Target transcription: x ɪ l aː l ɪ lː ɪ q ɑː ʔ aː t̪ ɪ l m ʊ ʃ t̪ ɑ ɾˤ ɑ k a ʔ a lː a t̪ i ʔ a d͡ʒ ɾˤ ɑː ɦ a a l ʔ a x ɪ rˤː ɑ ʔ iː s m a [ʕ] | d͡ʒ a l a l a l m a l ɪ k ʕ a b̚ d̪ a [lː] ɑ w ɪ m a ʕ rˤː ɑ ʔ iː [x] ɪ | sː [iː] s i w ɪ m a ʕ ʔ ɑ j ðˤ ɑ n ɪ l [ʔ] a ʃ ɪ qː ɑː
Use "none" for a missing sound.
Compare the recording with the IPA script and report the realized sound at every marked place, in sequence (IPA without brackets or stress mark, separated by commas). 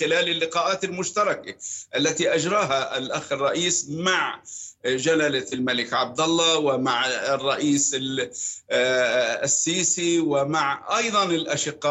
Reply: ʕ, lː, s, iː, ʔ